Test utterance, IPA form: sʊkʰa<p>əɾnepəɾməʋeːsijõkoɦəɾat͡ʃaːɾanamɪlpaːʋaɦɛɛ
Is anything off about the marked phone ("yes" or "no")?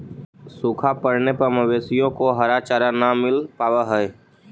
no